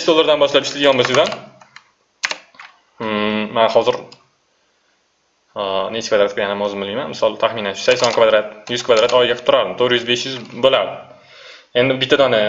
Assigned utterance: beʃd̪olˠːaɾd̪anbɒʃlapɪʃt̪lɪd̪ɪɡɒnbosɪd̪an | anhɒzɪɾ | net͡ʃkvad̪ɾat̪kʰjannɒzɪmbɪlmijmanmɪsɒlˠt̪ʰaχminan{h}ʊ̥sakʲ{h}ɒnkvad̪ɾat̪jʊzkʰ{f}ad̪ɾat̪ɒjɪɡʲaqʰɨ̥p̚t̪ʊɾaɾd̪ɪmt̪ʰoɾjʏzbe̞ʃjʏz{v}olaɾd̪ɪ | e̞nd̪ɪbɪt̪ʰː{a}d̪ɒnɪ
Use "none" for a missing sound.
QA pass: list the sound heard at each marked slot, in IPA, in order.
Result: ʃ, s, v, b, a

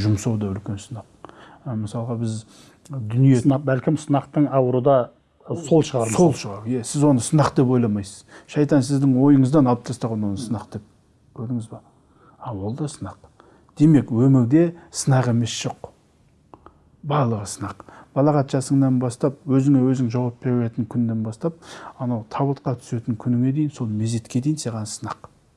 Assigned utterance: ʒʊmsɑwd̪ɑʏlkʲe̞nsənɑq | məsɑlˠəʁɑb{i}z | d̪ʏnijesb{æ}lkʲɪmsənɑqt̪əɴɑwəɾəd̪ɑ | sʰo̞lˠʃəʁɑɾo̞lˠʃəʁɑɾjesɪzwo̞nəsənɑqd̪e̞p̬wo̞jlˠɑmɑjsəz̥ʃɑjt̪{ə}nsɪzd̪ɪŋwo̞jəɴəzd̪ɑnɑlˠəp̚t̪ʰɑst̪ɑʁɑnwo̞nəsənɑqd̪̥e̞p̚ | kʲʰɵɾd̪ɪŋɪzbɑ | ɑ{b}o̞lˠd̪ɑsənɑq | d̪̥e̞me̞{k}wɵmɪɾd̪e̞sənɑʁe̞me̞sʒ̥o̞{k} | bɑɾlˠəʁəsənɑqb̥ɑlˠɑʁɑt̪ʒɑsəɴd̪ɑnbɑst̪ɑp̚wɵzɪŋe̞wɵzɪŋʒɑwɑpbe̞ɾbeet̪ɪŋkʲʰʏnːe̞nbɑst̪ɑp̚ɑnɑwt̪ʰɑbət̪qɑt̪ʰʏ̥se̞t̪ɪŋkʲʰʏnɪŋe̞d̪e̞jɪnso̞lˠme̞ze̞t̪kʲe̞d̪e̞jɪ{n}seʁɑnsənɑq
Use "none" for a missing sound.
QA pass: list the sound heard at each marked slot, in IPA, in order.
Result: ɪ, æ, ɑ, w, k, q, n

